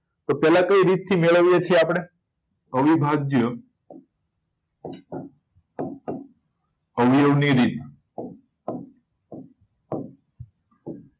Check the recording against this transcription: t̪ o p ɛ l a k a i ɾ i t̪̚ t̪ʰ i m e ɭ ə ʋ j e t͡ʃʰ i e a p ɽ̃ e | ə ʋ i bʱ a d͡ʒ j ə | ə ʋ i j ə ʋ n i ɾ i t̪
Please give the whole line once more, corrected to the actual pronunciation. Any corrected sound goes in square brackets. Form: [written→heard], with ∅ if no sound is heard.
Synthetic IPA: t̪ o p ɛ l a k [a→ə] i ɾ i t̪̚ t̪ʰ i m e ɭ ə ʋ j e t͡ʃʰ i e a p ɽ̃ e | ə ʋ i bʱ a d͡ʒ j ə | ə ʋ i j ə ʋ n i ɾ i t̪